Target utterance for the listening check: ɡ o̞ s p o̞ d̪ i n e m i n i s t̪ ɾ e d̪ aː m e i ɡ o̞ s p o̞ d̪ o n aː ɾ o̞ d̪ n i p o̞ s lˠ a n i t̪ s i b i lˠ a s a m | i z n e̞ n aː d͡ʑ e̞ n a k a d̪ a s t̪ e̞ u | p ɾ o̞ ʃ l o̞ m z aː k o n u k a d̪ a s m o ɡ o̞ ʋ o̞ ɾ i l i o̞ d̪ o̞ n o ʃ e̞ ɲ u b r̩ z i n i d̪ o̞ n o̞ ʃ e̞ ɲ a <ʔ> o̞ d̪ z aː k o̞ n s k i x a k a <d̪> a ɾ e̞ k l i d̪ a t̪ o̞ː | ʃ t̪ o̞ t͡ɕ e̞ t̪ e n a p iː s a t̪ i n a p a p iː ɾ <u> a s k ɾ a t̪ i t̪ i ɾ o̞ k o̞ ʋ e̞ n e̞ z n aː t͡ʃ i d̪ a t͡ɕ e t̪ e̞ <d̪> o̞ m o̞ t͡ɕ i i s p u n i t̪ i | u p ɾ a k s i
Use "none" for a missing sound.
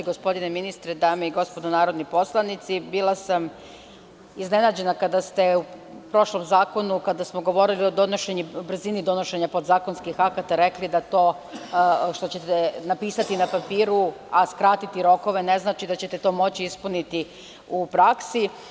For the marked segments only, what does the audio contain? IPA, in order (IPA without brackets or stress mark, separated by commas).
p, t̪, u, t̪